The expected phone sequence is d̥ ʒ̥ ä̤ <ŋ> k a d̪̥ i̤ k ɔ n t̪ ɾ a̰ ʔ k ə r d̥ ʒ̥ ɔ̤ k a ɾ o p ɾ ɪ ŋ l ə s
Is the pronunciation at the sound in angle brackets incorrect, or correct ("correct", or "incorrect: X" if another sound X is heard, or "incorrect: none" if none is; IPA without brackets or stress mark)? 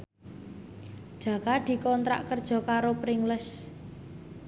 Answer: incorrect: none